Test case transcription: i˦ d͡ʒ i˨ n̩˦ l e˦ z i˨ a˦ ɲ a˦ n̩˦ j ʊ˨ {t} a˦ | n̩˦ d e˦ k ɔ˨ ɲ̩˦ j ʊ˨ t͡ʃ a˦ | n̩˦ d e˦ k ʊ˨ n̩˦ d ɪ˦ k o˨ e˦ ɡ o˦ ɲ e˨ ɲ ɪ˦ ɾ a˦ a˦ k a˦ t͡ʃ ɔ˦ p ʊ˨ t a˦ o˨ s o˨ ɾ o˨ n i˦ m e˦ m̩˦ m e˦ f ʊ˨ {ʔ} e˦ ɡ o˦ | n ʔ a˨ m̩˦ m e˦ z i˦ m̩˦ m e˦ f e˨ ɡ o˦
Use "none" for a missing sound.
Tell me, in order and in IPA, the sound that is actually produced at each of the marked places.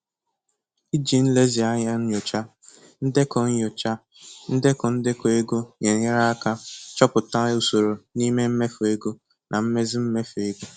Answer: t͡ʃ, none

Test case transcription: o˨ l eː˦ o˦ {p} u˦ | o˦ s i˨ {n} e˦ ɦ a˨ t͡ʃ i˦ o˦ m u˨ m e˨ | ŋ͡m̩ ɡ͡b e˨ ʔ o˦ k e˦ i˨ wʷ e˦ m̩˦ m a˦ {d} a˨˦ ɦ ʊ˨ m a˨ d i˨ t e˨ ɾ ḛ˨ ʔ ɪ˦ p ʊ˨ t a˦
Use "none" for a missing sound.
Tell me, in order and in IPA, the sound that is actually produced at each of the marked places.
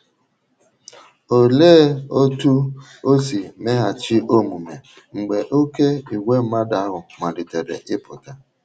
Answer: t, m, d

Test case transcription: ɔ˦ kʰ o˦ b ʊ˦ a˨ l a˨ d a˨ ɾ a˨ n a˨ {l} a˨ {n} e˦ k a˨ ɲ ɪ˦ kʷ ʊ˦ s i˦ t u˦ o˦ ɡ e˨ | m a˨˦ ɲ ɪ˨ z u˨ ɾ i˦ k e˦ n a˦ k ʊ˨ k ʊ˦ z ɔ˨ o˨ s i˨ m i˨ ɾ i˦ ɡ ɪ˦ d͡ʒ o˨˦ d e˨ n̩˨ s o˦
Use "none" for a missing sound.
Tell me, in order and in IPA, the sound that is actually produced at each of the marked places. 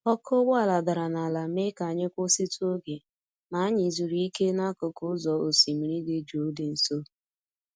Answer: l, m

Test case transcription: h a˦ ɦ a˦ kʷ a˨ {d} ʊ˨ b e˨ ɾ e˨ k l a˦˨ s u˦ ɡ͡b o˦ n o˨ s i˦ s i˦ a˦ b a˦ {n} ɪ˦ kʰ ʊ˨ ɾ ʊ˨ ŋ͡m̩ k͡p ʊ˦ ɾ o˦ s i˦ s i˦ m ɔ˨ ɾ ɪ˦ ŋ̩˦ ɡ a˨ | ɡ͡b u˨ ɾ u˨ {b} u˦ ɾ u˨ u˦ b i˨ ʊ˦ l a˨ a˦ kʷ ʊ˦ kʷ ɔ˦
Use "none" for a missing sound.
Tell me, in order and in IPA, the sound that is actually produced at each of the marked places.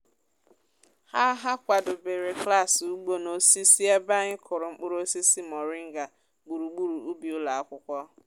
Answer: d, ɲ, ɡ͡b

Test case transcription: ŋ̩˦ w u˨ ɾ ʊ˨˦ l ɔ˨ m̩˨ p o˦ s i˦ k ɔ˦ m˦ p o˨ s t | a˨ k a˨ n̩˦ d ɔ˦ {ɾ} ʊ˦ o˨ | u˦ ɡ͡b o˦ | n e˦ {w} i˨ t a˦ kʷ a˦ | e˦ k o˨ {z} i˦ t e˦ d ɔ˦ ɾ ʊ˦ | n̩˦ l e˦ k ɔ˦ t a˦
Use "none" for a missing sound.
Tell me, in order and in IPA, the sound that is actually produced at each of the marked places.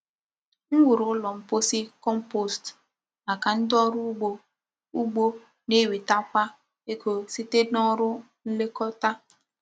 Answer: ɾ, w, s

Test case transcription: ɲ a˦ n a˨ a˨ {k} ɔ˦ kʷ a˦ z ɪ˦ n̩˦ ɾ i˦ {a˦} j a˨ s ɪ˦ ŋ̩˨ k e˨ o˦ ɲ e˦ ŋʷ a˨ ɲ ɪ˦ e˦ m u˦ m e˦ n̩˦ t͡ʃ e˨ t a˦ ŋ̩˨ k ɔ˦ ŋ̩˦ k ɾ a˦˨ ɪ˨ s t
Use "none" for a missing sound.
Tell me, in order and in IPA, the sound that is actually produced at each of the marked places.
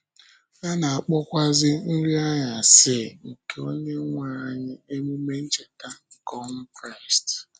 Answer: k͡p, a˦

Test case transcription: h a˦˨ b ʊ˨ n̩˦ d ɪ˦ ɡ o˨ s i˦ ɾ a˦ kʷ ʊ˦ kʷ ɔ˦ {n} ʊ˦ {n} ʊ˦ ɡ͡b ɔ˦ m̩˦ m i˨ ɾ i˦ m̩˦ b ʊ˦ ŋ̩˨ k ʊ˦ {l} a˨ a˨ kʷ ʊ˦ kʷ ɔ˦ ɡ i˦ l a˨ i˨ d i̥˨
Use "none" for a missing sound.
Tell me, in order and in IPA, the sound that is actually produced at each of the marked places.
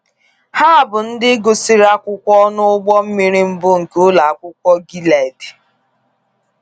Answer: n, none, l

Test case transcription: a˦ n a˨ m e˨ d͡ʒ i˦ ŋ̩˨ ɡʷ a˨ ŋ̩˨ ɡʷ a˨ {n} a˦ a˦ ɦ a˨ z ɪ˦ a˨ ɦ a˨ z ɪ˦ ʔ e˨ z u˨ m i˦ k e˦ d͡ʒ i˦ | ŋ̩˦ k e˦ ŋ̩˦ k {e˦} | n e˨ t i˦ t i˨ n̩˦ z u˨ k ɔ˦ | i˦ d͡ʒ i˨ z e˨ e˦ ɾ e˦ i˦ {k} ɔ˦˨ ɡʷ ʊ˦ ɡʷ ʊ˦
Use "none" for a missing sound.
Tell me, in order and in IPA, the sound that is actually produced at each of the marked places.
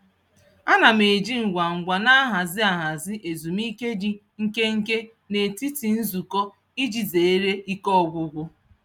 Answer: n, e˦, k

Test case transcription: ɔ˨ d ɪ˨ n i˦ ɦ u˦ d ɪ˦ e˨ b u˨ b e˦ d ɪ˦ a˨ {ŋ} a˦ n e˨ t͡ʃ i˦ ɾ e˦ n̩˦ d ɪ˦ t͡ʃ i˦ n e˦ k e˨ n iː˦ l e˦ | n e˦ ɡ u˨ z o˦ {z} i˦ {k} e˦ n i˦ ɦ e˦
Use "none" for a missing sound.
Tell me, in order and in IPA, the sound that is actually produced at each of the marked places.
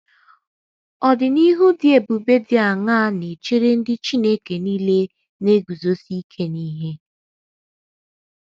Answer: ŋ, s, kʰ

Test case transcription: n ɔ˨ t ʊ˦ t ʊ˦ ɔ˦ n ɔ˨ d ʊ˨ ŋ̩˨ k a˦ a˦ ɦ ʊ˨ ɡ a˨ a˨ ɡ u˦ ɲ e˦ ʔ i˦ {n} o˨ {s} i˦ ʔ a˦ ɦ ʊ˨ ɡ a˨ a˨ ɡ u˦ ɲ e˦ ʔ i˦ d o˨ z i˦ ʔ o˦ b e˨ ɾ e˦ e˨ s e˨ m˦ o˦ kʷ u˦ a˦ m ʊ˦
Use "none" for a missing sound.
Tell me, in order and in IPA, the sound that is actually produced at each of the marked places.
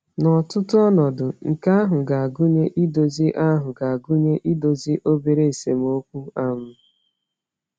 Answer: d, z

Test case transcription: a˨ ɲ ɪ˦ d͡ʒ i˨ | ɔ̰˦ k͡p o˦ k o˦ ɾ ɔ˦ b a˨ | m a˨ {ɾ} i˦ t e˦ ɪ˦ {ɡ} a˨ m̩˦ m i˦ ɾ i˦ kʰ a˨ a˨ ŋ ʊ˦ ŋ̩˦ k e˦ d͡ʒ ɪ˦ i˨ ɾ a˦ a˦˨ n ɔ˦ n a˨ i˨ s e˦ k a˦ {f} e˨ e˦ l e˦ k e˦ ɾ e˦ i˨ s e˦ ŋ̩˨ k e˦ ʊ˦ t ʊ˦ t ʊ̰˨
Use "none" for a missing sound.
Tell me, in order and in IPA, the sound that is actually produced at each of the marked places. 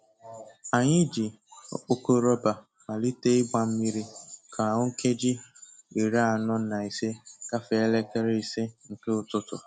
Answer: l, ɡ͡b, f

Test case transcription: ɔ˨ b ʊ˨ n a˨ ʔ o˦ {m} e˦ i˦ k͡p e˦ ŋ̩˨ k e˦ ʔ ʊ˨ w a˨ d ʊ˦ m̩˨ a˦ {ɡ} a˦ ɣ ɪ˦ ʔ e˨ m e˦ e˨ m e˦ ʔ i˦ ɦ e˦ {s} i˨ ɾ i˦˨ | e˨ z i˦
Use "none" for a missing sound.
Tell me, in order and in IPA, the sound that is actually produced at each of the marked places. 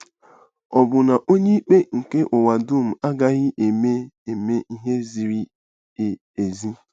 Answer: ɲ, ɡ, z

